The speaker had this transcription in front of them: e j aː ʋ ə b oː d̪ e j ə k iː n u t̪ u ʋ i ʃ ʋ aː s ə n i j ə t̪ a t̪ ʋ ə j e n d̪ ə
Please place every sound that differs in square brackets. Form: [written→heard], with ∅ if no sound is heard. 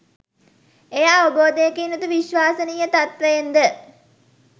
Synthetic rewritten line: e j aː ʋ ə b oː d̪ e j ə k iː n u t̪ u ʋ i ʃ ʋ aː s ə n i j ə t̪ a t̪ ʋ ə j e n d̪ ə